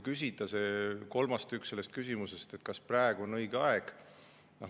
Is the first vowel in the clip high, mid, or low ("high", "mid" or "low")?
high